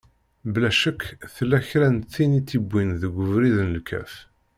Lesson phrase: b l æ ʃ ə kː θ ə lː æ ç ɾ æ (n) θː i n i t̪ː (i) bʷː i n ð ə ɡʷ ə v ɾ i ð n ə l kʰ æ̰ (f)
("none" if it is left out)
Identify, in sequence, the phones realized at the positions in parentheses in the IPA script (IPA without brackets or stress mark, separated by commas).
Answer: n, i, f